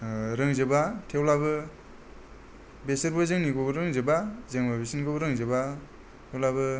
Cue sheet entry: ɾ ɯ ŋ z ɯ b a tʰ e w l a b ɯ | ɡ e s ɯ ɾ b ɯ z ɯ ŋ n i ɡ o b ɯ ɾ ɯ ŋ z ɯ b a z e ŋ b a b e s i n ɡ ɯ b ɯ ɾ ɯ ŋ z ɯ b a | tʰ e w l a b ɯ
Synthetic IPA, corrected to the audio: ɾ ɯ ŋ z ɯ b a tʰ e w l a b ɯ | b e s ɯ ɾ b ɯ z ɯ ŋ n i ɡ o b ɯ ɾ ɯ ŋ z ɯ b a z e ŋ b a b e s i n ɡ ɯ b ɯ ɾ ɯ ŋ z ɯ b a | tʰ e w l a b ɯ

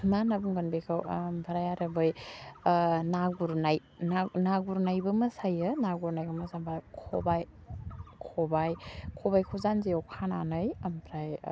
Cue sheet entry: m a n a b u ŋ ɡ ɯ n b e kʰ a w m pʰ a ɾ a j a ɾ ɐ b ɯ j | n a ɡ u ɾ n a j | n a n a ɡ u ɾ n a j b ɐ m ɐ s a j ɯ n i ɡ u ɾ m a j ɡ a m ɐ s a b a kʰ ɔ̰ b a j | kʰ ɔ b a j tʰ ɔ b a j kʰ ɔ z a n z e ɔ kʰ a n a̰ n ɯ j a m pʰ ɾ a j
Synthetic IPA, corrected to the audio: m a n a b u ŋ ɡ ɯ n b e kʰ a w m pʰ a ɾ a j a ɾ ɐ b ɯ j | n a ɡ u ɾ n a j | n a n a ɡ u ɾ n a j b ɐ m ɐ s a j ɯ n a ɡ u ɾ n a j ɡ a m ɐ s a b a kʰ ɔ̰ b a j | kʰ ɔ b a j kʰ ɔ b a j kʰ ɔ z a n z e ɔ kʰ a n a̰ n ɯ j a m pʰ ɾ a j

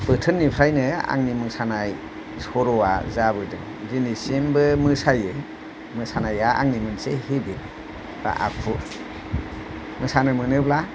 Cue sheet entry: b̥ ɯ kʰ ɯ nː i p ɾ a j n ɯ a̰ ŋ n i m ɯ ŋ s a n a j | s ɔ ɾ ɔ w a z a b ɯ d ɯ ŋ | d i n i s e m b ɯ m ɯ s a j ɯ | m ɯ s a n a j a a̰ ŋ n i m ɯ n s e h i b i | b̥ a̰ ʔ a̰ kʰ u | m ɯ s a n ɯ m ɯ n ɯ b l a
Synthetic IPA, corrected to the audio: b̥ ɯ tʰ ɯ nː i pʰ ɾ a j n ɯ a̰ ŋ n i m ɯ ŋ s a n a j | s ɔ ɾ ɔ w a z a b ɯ d ɯ ŋ | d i n i s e m b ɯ m ɯ s a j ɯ | m ɯ s a n a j a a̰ ŋ n i m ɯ n s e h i b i | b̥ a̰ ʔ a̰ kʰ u | m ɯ s a n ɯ m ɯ n ɯ b l a

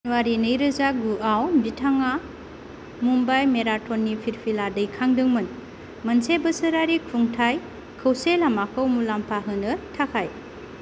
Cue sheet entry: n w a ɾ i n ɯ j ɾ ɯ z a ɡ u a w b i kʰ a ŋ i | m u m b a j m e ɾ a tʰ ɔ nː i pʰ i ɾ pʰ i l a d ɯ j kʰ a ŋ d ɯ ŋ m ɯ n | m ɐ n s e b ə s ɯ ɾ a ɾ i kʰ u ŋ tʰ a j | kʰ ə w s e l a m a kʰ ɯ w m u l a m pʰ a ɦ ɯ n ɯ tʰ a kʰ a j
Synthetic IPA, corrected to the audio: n w a ɾ i n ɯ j ɾ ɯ z a ɡ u a w b i tʰ a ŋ a | m u m b a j m e ɾ a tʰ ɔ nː i pʰ i ɾ pʰ i l a d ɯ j kʰ a ŋ d ɯ ŋ m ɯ n | m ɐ n s e b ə s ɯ ɾ a ɾ i kʰ u ŋ tʰ a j | kʰ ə w s e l a m a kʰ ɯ w m u l a m pʰ a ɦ ɯ n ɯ tʰ a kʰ a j

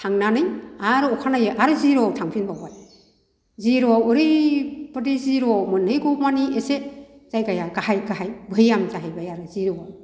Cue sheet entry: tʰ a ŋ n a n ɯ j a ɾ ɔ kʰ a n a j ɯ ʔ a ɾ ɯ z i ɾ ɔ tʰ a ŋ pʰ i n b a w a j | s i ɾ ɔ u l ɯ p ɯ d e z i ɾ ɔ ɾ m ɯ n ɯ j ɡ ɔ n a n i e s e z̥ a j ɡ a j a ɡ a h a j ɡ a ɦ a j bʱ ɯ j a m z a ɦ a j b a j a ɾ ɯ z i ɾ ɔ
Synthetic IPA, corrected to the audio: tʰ a ŋ n a n ɯ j a ɾ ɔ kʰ a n a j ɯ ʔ a ɾ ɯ z i ɾ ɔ tʰ a ŋ pʰ i n b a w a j | z i ɾ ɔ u ɾ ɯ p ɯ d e z i ɾ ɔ m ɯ n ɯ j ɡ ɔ m a n i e s e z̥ a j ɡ a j a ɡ a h a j ɡ a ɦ a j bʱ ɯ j a m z a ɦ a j b a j a ɾ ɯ z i ɾ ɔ

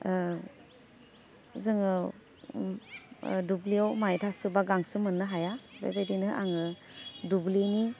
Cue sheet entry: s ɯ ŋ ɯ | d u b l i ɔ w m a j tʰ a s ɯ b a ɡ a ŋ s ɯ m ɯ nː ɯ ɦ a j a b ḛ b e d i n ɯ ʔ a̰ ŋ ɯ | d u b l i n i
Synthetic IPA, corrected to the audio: z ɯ ŋ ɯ | d u b l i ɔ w m a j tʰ a s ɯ b a ɡ a ŋ s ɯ m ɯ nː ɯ ɦ a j a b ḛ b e d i n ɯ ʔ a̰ ŋ ɯ | d u b l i n i

